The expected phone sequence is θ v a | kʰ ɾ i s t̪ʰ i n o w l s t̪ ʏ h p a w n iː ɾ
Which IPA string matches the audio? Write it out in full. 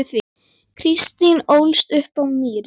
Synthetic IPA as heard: θ v i | kʰ ɾ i s t̪ i n o w l s t̪ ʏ h p a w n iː ɾ